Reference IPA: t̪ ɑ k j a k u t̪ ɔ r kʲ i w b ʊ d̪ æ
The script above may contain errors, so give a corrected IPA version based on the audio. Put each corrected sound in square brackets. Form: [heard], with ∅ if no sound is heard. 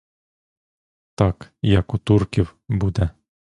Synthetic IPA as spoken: t̪ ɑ k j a k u t̪ [u] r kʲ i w b [u] d̪ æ